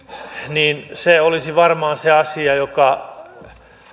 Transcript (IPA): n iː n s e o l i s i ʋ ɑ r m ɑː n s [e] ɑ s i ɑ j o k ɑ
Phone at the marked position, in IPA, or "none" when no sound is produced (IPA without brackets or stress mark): e